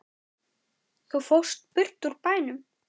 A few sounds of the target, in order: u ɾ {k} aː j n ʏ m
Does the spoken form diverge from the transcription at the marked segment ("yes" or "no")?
yes